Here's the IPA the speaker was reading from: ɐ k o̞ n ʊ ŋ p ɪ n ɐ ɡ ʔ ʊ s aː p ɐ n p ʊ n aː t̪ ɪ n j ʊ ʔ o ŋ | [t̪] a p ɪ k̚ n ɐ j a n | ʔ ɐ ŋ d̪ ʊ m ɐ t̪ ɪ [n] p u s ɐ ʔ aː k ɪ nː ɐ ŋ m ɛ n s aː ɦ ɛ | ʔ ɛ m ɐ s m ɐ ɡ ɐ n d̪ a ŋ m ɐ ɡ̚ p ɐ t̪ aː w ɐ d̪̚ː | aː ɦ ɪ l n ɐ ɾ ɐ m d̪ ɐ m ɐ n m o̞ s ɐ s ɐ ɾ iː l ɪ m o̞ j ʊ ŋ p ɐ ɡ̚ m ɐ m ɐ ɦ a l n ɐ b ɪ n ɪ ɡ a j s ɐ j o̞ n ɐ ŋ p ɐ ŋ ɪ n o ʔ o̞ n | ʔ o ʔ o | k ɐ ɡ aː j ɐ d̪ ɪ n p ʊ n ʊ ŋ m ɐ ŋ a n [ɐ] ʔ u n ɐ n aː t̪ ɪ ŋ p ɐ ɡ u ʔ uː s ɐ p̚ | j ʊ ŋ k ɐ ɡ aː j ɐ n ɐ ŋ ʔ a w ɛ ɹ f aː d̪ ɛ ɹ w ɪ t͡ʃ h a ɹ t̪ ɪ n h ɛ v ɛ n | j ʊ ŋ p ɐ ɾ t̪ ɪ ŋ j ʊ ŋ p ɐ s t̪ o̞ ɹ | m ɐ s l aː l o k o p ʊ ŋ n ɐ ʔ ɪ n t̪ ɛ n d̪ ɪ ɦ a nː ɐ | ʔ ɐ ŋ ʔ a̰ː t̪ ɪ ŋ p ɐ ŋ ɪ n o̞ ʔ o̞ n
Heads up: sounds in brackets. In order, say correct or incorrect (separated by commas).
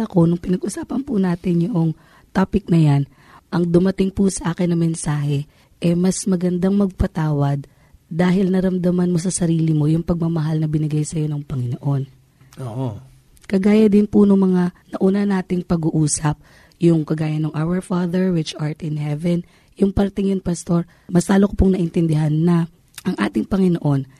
correct, incorrect, correct